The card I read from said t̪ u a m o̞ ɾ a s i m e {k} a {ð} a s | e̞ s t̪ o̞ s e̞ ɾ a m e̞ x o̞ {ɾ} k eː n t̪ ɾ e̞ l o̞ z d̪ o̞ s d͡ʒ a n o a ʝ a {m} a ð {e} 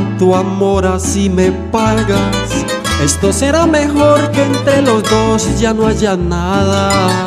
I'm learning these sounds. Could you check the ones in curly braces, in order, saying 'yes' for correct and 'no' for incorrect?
no, no, yes, no, no

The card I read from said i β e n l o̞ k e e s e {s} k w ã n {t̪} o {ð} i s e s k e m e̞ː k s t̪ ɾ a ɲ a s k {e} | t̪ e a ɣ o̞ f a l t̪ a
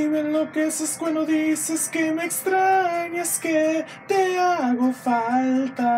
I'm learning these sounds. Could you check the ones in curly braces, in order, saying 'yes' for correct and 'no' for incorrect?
yes, no, yes, yes

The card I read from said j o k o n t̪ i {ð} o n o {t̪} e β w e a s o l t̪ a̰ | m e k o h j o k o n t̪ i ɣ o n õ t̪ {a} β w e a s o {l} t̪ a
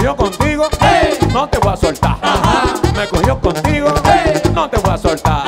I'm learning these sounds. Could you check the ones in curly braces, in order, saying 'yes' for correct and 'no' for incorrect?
no, yes, no, yes

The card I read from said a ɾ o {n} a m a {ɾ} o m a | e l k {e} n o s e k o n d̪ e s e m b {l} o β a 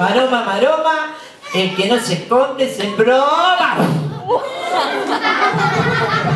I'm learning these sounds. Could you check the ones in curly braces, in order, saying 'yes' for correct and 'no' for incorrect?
no, yes, yes, no

